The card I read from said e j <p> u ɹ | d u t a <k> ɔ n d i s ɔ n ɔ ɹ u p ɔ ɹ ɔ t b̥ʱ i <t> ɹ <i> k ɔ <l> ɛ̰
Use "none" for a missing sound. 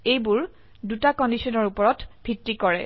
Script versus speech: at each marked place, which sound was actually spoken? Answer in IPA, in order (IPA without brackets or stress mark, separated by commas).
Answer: b, k, t, i, ɹ